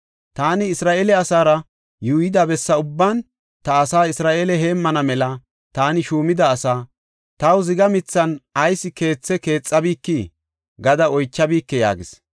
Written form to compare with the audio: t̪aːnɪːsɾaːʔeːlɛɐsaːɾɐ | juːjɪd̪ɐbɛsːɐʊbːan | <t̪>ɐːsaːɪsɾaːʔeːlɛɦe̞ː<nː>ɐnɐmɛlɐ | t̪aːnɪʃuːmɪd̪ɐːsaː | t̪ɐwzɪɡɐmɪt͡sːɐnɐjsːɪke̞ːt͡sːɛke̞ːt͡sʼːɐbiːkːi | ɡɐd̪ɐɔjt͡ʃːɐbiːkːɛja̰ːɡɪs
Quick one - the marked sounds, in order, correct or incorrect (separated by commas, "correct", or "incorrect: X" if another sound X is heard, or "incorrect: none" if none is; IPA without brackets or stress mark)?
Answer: correct, incorrect: mː